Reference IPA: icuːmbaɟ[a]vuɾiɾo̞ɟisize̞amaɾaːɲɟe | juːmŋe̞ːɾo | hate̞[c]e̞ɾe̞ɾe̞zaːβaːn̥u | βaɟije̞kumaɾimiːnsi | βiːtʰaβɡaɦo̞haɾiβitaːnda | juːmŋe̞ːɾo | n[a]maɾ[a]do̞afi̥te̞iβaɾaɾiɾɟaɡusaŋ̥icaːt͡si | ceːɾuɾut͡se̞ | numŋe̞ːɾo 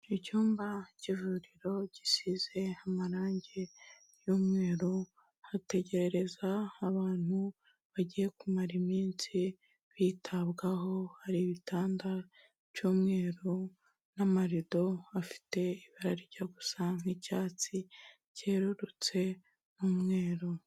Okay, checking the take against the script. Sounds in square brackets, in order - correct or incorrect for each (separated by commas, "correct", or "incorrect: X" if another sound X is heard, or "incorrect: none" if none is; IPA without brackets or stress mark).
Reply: incorrect: i, incorrect: ɟ, correct, incorrect: i